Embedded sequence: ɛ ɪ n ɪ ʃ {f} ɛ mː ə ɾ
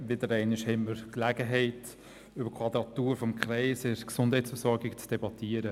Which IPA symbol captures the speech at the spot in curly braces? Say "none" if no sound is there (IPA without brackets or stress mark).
h